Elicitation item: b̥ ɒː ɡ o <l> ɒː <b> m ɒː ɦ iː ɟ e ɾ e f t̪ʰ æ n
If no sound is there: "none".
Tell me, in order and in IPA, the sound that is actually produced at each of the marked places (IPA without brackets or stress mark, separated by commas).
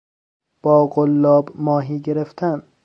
lː, b